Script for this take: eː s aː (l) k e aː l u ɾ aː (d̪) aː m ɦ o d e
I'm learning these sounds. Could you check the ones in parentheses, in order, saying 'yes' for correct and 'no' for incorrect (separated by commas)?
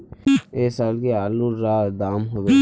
yes, yes